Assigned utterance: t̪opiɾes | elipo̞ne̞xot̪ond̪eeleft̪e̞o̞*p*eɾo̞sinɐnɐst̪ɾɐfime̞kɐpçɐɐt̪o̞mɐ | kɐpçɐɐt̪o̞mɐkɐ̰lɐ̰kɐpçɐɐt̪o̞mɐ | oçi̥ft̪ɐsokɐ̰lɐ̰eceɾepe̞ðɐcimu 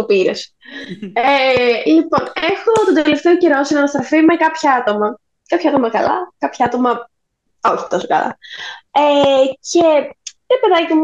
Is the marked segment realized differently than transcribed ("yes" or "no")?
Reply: yes